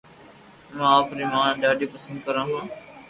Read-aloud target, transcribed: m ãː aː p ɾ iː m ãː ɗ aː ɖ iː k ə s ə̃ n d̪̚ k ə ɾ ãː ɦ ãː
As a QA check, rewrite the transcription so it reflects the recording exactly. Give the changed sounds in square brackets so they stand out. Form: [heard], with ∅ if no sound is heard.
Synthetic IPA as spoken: m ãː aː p ɾ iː m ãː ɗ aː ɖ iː [p] ə s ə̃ n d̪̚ k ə ɾ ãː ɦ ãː